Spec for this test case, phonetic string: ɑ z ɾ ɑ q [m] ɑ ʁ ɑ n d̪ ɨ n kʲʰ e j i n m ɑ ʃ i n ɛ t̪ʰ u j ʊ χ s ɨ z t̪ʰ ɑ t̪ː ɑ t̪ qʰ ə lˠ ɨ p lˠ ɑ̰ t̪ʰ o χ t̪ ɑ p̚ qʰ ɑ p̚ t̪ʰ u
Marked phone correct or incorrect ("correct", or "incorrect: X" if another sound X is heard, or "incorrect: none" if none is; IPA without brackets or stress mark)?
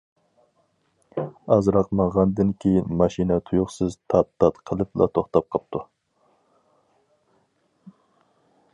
correct